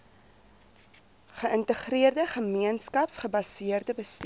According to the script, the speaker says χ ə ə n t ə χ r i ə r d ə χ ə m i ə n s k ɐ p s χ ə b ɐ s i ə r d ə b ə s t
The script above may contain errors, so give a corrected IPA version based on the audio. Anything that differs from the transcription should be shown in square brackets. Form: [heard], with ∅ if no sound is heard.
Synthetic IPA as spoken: χ ə ə n t ə χ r i ə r d ə χ ə m i ə n s k ɐ p s χ ə b ɐ s i ə r d ə b ə s t